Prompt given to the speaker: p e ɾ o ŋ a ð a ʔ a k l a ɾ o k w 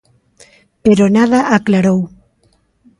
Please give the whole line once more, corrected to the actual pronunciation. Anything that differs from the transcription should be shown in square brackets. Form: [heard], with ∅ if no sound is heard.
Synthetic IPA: p e ɾ o [n] a ð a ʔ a k l a ɾ o [∅] w